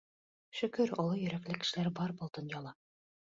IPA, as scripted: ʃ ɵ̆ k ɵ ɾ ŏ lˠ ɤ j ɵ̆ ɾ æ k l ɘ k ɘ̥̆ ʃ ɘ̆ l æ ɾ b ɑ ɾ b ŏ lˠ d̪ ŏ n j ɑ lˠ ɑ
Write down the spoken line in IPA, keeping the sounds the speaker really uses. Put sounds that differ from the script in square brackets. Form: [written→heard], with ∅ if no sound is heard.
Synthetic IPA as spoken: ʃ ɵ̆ k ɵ ɾ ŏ lˠ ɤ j ɵ̆ ɾ æ k l ɘ k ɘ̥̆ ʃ ɘ̆ l æ ɾ b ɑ ɾ b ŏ lˠ d̪ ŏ n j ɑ lˠ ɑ